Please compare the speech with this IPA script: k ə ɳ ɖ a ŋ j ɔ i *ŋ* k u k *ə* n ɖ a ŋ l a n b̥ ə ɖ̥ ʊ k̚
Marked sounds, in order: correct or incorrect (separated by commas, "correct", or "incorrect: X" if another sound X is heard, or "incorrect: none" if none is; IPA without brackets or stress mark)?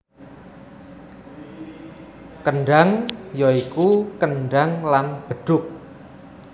incorrect: none, correct